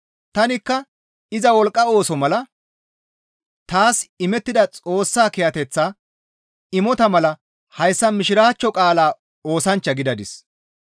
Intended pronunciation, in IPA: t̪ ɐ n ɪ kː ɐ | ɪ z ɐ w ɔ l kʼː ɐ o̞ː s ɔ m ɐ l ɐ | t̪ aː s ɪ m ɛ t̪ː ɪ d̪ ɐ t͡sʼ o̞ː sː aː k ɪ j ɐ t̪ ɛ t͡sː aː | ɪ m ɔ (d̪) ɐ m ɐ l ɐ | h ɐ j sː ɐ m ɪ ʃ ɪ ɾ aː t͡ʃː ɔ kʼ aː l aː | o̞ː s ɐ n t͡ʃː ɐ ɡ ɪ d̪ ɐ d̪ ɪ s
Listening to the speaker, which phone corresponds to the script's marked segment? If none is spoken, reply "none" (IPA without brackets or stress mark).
t̪